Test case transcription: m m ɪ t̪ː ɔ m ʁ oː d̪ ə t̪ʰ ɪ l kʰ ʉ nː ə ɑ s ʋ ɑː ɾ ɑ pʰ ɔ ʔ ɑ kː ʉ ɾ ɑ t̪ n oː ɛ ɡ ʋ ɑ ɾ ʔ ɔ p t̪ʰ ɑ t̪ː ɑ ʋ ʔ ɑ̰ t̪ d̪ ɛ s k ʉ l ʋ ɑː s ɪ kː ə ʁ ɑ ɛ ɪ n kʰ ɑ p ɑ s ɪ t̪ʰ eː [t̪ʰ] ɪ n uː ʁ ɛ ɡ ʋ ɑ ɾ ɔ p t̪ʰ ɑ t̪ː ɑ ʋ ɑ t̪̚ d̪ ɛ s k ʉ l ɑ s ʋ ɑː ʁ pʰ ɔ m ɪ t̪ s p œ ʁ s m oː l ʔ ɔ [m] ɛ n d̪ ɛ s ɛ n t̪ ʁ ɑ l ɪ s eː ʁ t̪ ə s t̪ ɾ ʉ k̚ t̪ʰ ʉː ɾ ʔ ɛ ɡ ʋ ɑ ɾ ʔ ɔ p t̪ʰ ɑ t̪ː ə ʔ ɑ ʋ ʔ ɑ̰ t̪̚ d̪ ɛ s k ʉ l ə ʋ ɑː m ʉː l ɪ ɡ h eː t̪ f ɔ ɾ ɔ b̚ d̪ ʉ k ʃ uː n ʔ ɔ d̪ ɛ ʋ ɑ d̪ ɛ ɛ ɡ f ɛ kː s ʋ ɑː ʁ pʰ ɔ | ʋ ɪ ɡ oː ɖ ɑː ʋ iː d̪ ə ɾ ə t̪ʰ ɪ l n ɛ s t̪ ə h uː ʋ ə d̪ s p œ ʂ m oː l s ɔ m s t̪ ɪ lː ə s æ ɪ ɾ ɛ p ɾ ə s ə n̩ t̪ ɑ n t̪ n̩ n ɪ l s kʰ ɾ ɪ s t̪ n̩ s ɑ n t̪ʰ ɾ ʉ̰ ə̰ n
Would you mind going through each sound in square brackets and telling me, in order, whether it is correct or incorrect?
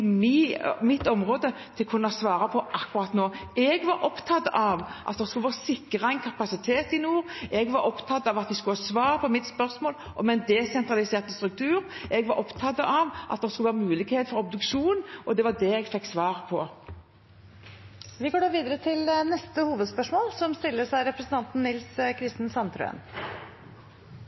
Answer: incorrect: t̪, correct

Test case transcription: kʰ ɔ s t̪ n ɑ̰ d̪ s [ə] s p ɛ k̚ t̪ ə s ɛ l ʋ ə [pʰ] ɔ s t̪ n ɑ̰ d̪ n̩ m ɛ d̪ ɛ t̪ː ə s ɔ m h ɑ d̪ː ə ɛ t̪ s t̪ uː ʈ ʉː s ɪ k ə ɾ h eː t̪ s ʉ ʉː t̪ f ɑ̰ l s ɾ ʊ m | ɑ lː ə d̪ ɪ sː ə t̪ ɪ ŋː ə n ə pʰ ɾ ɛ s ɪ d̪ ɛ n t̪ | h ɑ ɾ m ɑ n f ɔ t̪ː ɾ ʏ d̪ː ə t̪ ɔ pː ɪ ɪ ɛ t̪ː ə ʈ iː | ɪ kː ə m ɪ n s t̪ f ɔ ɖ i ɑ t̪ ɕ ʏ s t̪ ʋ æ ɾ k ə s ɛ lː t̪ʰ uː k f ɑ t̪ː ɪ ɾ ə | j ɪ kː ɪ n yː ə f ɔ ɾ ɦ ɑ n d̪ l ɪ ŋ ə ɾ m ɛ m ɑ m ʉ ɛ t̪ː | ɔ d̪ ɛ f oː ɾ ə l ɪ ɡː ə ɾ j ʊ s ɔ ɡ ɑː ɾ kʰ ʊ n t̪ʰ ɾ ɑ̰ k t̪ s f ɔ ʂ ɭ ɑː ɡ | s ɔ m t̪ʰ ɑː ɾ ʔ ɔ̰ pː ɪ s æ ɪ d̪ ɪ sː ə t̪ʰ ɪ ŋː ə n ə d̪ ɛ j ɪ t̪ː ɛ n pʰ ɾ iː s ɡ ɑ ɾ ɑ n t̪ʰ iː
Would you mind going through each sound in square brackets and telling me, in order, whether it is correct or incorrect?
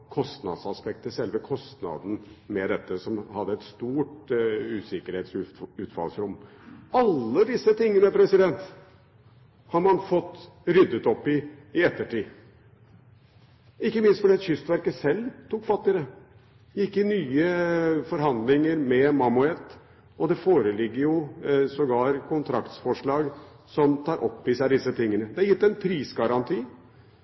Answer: incorrect: ɑ, incorrect: kʰ

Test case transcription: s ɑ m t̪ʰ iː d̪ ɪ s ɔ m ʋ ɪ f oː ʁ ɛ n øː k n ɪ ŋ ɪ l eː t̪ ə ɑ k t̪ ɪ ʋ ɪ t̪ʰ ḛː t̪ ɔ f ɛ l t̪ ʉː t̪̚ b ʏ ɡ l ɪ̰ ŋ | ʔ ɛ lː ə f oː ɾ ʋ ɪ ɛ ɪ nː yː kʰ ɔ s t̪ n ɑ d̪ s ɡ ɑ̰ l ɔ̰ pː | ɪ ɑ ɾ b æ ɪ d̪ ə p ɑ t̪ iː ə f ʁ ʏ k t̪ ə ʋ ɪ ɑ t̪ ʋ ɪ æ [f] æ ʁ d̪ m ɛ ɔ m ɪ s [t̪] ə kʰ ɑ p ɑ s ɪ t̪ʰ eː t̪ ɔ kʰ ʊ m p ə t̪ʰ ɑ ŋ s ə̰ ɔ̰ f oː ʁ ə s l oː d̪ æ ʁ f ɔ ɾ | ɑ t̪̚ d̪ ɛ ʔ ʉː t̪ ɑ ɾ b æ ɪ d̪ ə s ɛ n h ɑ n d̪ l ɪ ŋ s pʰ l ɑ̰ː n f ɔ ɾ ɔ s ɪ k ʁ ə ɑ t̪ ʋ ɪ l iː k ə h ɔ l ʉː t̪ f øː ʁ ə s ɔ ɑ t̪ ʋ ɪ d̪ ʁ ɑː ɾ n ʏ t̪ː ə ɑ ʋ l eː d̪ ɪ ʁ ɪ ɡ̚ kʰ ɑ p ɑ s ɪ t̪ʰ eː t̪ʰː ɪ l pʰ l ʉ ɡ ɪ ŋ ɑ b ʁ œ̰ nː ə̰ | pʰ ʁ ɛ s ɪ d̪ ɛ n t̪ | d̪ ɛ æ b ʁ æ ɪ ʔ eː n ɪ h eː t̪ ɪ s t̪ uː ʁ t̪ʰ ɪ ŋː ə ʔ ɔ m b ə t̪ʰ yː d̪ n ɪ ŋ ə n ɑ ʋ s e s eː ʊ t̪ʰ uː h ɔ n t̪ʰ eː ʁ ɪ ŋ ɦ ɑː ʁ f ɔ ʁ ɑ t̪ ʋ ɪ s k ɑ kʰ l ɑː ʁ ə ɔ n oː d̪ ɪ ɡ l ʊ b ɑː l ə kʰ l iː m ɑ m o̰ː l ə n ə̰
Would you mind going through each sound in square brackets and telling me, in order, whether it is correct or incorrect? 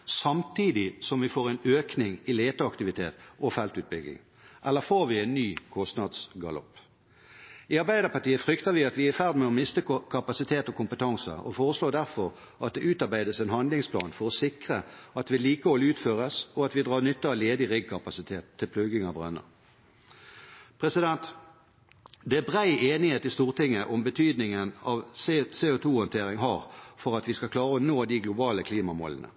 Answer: correct, correct

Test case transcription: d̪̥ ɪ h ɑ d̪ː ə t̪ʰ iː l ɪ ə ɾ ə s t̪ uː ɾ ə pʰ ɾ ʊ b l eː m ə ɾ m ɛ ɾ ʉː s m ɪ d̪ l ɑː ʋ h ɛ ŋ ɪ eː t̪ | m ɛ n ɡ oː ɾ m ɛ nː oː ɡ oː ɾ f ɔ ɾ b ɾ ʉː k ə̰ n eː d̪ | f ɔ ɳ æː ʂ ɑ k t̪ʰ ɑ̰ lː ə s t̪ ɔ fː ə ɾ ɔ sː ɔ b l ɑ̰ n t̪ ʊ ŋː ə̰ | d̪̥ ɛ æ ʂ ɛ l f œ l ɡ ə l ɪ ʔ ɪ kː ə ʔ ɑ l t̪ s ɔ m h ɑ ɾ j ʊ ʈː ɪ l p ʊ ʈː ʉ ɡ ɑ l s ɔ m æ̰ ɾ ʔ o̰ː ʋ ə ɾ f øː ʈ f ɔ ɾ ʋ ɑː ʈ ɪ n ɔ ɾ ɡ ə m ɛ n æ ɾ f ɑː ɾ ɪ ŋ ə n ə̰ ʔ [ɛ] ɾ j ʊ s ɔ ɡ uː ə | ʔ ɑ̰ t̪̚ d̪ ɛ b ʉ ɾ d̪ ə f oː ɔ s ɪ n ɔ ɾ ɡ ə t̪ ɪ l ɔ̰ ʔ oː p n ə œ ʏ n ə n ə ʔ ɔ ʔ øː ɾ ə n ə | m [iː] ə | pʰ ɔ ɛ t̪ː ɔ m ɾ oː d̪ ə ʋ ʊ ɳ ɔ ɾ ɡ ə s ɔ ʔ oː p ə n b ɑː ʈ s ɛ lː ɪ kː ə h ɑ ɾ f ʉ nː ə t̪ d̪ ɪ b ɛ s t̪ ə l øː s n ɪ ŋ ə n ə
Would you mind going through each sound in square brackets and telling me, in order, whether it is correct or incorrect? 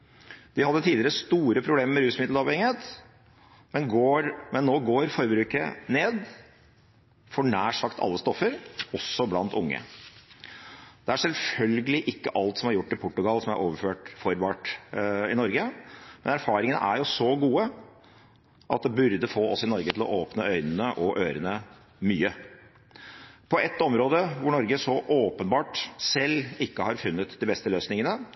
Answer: incorrect: æ, incorrect: yː

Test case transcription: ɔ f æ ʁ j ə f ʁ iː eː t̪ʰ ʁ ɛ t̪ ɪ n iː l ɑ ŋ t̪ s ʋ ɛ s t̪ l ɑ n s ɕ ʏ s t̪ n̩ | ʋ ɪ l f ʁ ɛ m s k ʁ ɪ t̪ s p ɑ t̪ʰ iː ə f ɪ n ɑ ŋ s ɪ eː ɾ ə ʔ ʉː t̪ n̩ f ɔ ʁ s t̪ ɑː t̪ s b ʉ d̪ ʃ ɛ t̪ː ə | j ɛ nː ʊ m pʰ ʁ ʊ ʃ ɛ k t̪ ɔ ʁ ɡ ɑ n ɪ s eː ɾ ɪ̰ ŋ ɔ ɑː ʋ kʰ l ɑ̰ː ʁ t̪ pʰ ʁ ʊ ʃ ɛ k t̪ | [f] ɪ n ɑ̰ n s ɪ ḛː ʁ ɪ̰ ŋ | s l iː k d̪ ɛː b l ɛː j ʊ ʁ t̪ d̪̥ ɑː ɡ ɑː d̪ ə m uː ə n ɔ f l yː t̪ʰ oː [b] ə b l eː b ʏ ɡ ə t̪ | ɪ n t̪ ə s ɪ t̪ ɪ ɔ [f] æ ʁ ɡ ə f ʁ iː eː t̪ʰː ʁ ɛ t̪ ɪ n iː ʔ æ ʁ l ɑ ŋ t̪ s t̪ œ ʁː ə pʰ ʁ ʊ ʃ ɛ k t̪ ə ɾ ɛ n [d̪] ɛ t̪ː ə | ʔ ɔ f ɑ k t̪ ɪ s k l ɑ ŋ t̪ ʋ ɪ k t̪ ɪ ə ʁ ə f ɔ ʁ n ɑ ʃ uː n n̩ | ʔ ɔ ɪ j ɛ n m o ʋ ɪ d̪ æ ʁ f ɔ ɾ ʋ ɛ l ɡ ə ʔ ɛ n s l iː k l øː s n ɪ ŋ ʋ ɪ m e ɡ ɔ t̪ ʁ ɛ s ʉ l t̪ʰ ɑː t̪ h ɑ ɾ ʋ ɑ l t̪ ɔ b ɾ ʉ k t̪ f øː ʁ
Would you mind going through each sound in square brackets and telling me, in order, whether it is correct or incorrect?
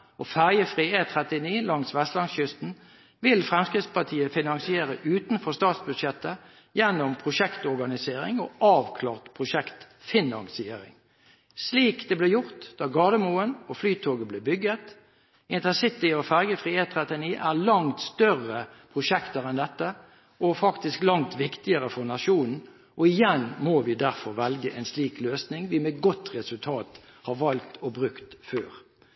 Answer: correct, incorrect: ɡ, correct, correct

